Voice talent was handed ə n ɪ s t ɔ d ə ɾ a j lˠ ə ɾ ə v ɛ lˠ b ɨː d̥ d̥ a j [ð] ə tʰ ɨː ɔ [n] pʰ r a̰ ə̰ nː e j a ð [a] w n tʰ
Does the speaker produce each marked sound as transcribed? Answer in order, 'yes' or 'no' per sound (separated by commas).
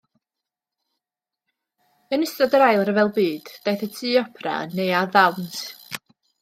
no, no, yes